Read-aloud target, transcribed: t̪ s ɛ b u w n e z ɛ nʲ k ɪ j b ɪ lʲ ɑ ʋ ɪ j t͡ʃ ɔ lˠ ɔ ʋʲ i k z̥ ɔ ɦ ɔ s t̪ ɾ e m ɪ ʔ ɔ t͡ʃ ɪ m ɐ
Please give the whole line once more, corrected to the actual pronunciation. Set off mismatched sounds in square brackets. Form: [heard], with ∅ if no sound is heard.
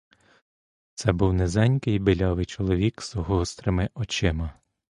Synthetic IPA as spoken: t̪ s ɛ b u w n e z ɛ nʲ k ɪ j b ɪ lʲ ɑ ʋ ɪ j t͡ʃ ɔ lˠ ɔ ʋʲ i k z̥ ɔ ɦ ɔ s t̪ ɾ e m ɪ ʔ ɔ t͡ʃ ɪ m ɐ

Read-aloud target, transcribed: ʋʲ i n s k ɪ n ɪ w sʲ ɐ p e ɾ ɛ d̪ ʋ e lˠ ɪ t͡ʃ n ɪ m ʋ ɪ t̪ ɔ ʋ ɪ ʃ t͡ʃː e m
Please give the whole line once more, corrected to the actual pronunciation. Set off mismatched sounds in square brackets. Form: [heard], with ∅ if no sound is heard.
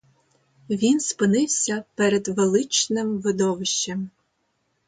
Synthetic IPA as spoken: ʋʲ i n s [p] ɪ n ɪ w sʲ ɐ p [ɛ] ɾ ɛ d̪ ʋ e lˠ ɪ t͡ʃ n ɪ m ʋ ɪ [d̪] ɔ ʋ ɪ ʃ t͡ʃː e m

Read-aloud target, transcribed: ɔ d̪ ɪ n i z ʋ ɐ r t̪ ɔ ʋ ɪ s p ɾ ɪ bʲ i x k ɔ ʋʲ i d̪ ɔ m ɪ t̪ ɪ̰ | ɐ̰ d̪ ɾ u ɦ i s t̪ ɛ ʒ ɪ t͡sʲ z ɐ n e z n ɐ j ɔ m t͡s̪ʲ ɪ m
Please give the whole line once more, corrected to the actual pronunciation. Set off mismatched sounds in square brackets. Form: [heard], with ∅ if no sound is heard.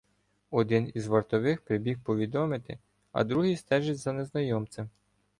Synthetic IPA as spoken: ɔ d̪ ɪ n i z ʋ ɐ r t̪ ɔ ʋ ɪ [x] p ɾ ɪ bʲ i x [p] ɔ ʋʲ i d̪ ɔ m ɪ t̪ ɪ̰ | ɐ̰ d̪ ɾ u ɦ i s t̪ ɛ ʒ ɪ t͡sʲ z ɐ n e z n ɐ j ɔ m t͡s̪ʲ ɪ m

